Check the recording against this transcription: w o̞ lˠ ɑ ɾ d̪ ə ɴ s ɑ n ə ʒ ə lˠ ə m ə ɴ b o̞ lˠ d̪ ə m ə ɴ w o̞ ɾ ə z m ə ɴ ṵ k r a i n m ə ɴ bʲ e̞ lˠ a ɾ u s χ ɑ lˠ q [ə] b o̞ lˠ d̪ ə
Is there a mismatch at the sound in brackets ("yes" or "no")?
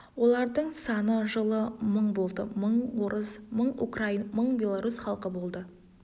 no